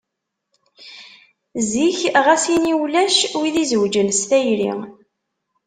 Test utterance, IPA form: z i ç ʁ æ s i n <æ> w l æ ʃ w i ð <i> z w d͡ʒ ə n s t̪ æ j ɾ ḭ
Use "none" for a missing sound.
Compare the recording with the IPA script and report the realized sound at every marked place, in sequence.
i, i

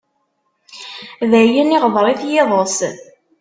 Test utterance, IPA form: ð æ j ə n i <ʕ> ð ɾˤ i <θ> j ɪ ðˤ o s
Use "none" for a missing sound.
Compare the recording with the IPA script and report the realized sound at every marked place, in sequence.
ʁ, θ

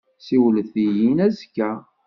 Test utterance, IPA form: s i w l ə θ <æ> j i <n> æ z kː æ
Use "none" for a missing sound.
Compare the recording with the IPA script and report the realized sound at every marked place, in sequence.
i, n

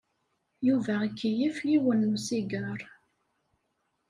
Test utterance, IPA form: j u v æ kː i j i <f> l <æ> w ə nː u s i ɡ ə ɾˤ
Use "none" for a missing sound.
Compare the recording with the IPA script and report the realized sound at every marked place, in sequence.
f, i

